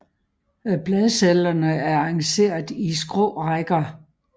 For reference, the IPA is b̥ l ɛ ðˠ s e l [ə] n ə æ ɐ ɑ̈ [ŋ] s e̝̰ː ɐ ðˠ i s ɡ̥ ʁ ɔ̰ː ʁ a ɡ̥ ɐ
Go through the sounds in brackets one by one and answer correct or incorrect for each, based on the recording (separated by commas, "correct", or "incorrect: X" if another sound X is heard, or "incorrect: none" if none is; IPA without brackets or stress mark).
incorrect: ɐ, correct